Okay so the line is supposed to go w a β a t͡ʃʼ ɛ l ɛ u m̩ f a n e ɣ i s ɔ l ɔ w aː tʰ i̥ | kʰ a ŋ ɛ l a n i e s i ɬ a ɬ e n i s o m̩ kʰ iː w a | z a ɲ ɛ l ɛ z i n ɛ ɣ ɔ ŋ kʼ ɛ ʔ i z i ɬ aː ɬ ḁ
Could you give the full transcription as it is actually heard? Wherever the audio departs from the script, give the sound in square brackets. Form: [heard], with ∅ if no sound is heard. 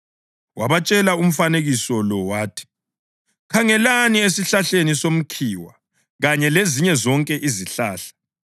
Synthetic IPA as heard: w a β a t͡ʃʼ ɛ l [a] u m̩ f a n e ɣ i s ɔ l ɔ w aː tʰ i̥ | kʰ a ŋ ɛ l a n i e s i ɬ a ɬ e n i s o m̩ kʰ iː w a | [ɣ] a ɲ ɛ l [e] z i [ɲ] ɛ [z] ɔ ŋ kʼ ɛ ʔ i z i ɬ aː ɬ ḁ